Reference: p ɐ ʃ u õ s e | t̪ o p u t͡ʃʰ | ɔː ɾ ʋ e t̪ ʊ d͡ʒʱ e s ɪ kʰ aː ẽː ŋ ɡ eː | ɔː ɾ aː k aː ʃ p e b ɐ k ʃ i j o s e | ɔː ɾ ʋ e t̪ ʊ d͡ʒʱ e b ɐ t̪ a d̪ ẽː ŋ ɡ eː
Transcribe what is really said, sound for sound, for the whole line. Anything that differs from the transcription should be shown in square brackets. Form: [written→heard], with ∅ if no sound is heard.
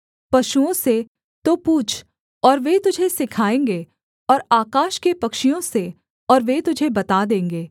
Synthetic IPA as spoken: p ɐ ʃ u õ s e | t̪ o p [u→uː] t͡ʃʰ | ɔː ɾ ʋ e t̪ ʊ d͡ʒʱ e s ɪ kʰ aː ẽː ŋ ɡ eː | ɔː ɾ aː k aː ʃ [p→k] e [b→p] ɐ k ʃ i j [o→õ] s e | ɔː ɾ ʋ e t̪ ʊ d͡ʒʱ e b ɐ t̪ a d̪ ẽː ŋ ɡ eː